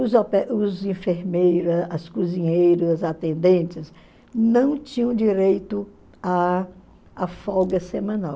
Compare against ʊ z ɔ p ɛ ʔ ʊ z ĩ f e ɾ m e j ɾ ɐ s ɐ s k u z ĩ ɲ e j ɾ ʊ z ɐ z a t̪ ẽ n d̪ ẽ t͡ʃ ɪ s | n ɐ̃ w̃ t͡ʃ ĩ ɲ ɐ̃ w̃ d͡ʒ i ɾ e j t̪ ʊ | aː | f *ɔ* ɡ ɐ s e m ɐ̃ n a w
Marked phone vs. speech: correct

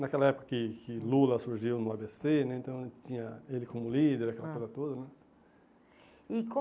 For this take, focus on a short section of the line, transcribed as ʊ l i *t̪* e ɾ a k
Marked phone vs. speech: incorrect: d̪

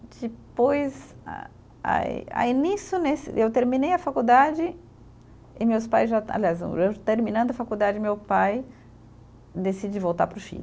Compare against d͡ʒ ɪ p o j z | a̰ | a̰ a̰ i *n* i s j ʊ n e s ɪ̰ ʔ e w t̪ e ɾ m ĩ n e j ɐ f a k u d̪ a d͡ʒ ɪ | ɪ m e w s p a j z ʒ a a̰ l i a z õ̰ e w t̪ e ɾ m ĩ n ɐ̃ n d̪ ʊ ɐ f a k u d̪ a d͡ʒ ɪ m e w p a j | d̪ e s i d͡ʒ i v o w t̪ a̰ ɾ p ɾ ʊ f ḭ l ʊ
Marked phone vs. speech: correct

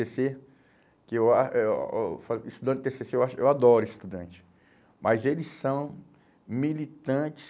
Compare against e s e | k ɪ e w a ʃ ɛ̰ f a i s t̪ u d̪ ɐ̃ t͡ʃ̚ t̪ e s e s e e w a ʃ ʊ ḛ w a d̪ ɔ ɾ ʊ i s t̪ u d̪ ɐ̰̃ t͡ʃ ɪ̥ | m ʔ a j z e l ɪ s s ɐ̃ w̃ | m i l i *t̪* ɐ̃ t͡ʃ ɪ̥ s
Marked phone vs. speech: correct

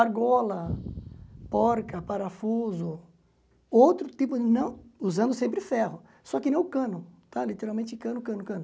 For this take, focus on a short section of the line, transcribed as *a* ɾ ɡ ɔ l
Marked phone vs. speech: correct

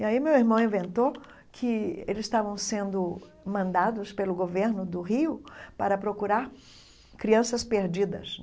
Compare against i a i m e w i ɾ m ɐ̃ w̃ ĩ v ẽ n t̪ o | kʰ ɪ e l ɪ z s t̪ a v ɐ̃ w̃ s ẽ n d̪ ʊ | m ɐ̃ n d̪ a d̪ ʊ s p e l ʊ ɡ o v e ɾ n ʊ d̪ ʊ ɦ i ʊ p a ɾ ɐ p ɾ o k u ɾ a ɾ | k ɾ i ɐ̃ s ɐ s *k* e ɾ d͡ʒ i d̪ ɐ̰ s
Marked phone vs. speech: incorrect: p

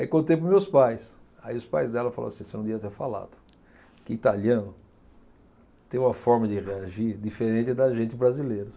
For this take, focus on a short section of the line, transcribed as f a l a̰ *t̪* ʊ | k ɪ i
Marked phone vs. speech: incorrect: d̪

